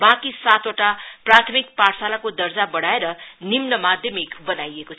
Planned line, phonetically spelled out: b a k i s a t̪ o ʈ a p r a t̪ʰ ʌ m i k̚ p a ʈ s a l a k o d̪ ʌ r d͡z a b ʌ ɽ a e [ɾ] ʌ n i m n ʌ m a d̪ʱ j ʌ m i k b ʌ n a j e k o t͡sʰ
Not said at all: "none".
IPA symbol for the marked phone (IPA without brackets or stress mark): ɾ